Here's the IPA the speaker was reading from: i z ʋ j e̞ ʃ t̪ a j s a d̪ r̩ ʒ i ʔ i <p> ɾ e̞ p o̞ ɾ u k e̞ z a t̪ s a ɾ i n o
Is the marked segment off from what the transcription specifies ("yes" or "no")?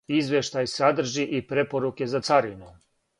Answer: no